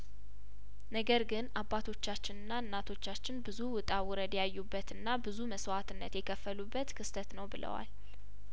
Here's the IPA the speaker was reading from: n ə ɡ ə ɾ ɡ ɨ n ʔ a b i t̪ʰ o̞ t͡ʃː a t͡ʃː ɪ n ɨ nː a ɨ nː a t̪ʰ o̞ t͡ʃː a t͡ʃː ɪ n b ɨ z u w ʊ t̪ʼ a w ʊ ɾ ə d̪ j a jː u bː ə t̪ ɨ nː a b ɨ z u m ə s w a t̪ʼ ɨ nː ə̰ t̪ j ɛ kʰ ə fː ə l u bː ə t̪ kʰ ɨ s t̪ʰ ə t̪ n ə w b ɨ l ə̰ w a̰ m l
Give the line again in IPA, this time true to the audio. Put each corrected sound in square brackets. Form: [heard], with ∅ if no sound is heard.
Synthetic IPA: n ə ɡ ə ɾ ɡ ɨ n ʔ a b [a] t̪ʰ o̞ t͡ʃː a t͡ʃː ɪ n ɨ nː a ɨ nː a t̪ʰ o̞ t͡ʃː a t͡ʃː ɪ n b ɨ z u w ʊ t̪ʼ a w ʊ ɾ ə d̪ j a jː u bː ə t̪ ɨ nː a b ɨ z u m ə s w a [t̪] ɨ nː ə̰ t̪ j ɛ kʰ ə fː ə l u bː ə t̪ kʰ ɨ s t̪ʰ ə t̪ n ə w b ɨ l ə̰ w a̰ [∅] l